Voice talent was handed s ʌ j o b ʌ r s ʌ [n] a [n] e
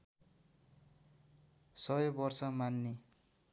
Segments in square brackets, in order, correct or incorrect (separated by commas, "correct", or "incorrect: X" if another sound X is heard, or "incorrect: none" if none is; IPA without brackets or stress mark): incorrect: m, incorrect: nː